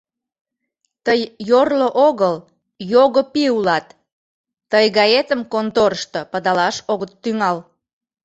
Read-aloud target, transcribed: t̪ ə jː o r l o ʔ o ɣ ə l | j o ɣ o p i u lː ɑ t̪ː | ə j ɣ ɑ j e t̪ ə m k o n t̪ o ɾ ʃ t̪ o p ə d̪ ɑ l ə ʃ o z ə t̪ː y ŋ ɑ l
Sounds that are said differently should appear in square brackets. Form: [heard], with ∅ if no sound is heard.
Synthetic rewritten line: t̪ ə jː o r l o ʔ o ɣ ə l | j o ɣ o p i u [l] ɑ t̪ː | ə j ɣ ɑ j e t̪ ə m k o n t̪ o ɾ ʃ t̪ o p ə d̪ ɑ l [ɑ] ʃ o [ɣ] ə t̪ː y ŋ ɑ l